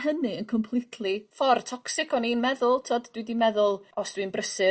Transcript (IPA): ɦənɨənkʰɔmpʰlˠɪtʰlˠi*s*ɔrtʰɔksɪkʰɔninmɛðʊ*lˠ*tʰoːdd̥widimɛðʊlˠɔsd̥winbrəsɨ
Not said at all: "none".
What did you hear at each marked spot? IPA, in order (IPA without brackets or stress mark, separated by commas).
f, lˠ